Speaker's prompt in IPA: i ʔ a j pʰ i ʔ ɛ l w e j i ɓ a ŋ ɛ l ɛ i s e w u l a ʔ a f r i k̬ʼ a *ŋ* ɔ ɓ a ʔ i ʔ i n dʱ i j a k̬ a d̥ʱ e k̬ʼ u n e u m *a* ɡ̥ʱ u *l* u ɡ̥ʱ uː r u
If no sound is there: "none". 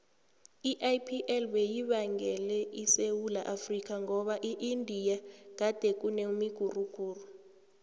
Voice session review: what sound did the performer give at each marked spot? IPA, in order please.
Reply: ŋ, i, r

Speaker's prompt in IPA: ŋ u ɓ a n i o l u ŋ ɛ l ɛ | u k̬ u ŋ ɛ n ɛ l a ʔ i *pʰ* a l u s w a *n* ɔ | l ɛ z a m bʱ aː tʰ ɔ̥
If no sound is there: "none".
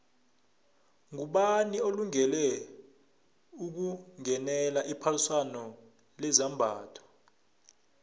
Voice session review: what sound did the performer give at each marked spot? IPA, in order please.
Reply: pʰ, n

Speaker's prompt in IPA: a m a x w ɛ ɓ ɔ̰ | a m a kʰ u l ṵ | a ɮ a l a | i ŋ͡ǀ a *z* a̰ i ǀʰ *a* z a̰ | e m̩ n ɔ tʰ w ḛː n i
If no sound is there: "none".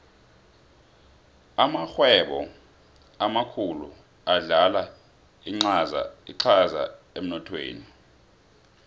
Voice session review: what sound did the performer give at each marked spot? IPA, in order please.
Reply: z, a

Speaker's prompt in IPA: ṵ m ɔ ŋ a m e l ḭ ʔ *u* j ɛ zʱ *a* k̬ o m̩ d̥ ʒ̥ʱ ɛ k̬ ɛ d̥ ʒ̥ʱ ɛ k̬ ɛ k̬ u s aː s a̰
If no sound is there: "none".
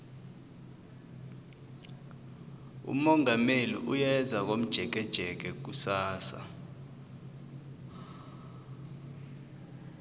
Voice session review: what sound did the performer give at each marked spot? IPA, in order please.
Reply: u, a

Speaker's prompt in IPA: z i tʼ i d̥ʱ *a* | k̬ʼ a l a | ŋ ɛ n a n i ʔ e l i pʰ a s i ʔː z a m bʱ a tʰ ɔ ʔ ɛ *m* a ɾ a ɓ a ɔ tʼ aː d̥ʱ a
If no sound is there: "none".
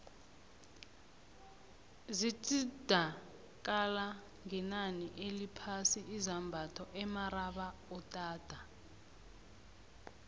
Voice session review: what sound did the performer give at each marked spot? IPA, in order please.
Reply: a, m

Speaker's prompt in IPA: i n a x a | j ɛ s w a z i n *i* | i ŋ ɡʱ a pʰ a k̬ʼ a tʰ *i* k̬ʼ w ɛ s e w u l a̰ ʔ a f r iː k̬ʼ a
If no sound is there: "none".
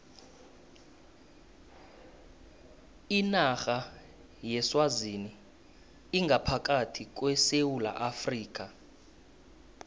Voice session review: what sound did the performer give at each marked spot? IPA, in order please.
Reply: i, i

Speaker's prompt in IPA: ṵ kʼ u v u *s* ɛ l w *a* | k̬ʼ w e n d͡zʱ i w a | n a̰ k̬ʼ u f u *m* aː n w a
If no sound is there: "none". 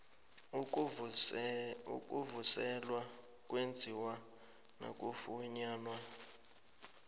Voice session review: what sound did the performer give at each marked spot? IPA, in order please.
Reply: s, a, ɲ

